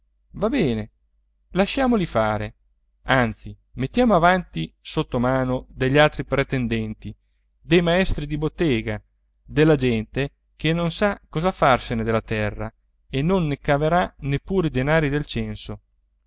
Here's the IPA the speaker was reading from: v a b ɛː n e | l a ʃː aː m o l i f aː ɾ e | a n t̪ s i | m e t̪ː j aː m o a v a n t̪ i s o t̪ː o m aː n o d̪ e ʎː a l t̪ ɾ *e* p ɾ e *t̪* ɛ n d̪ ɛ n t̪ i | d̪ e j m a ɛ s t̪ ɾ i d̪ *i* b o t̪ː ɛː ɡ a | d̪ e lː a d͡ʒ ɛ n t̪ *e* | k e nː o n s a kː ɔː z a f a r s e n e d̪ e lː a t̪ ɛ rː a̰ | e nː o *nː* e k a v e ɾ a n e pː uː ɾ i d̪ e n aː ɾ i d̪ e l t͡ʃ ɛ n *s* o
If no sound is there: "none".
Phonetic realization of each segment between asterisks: i, t̪, i, e, nː, s

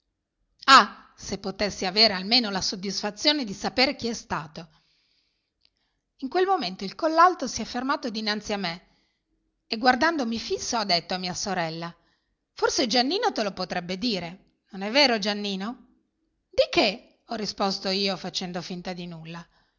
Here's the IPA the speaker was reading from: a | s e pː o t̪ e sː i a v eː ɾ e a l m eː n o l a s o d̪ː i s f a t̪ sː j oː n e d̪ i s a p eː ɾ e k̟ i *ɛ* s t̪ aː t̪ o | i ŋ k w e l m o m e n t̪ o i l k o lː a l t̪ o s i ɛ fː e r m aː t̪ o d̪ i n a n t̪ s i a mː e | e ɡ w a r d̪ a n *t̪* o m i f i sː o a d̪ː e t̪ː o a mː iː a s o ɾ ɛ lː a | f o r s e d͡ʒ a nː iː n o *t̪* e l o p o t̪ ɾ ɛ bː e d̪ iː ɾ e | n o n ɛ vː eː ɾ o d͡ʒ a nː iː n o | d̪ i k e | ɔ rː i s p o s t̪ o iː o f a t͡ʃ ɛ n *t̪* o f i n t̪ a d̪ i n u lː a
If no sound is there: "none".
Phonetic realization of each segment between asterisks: ɛ, d̪, t̪, d̪

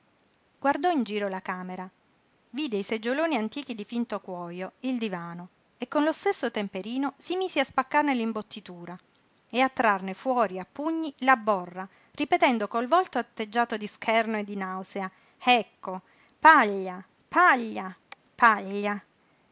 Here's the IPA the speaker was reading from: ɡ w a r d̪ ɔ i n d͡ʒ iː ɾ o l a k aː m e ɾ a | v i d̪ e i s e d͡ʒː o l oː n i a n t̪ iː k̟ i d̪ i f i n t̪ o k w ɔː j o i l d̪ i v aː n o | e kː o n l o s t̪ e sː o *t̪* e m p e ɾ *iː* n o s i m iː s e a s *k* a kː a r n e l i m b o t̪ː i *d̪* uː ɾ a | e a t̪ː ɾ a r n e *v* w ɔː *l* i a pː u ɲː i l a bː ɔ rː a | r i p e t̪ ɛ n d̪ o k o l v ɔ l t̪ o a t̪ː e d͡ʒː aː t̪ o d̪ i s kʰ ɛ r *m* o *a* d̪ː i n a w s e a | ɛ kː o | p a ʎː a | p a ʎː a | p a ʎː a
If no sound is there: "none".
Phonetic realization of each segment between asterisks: t̪, iː, p, t̪, f, ɾ, n, e

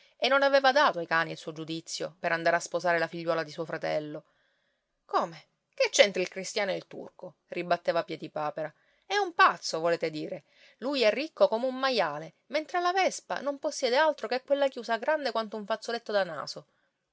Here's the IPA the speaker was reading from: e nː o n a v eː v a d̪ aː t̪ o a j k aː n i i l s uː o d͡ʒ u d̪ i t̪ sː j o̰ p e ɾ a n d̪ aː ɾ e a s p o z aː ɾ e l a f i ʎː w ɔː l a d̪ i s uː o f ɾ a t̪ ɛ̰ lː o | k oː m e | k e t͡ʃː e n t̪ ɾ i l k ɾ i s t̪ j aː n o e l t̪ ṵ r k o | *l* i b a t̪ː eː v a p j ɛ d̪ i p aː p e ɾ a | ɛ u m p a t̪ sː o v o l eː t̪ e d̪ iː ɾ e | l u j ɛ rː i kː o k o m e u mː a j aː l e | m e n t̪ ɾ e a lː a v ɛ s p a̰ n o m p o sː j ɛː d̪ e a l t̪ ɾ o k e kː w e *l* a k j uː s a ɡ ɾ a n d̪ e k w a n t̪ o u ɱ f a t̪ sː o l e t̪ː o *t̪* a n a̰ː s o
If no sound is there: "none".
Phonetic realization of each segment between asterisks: r, lː, d̪

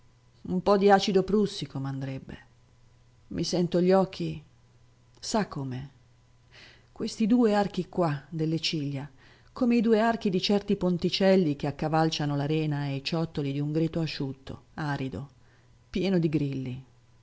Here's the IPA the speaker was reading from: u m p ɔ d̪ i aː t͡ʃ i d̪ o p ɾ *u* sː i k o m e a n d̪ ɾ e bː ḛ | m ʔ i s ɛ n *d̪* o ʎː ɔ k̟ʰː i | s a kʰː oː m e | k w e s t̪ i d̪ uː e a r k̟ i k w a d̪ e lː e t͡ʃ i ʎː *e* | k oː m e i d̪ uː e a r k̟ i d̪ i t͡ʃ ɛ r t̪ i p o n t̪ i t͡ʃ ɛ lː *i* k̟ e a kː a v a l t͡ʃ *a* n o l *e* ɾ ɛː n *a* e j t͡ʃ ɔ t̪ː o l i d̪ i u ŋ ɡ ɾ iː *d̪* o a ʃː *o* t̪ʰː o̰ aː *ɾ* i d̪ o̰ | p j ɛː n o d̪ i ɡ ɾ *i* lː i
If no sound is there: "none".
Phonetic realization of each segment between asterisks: u, t̪, a, i, a, a, a, t̪, u, ɾ, i

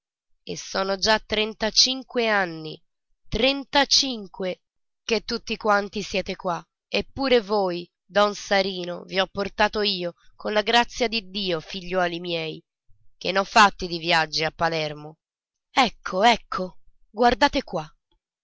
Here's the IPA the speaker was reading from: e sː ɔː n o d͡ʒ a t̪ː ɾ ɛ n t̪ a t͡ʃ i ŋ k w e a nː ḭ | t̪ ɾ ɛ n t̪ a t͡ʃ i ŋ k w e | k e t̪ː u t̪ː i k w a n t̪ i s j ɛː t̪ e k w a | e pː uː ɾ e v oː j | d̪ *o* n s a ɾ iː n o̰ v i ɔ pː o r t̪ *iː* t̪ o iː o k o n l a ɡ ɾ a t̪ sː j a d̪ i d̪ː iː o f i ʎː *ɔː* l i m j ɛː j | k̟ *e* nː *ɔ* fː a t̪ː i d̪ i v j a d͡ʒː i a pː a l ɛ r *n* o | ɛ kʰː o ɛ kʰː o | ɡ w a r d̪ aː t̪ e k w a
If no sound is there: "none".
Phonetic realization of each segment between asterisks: ɔ, aː, ɔː, e, ɔ, m

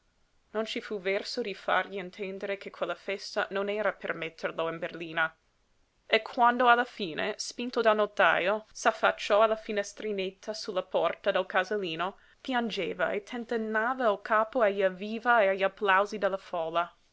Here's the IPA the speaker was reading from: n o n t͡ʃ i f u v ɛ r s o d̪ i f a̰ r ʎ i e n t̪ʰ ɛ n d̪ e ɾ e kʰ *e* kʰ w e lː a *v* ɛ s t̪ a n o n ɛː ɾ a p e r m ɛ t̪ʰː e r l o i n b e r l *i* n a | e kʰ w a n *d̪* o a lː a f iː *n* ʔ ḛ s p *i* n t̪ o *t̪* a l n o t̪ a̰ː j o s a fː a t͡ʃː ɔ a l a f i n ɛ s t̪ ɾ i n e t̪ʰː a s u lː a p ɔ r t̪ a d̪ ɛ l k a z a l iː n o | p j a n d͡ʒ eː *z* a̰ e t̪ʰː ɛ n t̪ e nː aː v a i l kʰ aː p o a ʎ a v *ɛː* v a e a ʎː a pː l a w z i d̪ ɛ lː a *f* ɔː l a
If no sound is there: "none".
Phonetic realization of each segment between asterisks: e, f, iː, d̪, n, i, d̪, v, iː, f

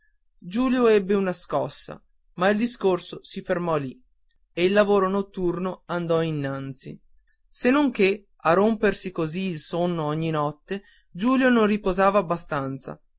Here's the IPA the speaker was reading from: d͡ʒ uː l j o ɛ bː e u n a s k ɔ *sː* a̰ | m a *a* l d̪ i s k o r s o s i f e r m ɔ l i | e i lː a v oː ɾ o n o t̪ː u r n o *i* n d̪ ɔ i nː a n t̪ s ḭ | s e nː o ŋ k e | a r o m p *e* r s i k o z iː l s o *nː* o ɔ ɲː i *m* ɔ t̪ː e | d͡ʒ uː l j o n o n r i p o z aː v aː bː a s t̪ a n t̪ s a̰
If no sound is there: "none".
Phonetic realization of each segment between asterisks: sː, i, a, e, nː, n

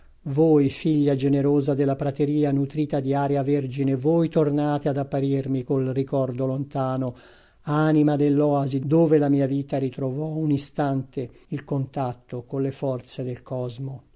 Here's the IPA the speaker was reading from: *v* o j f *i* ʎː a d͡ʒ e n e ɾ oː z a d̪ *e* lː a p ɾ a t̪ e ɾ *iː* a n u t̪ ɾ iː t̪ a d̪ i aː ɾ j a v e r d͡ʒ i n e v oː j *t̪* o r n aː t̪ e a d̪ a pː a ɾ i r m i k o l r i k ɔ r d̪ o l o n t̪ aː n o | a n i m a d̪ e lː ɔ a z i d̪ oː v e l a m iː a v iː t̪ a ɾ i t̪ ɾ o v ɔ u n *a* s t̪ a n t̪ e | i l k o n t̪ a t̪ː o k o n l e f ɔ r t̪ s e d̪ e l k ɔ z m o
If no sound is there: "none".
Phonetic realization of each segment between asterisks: v, i, e, iː, t̪, i

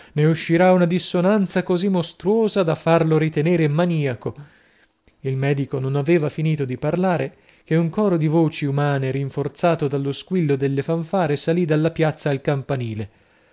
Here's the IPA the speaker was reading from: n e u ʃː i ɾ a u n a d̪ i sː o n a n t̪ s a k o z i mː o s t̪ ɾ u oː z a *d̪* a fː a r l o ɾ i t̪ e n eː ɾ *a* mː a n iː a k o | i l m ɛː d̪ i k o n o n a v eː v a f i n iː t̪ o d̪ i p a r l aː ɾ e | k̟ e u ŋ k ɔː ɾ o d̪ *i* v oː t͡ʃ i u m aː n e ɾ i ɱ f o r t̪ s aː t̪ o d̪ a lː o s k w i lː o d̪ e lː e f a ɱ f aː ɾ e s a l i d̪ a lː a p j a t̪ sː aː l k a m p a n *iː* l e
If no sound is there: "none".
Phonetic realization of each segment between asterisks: d̪, e, i, iː

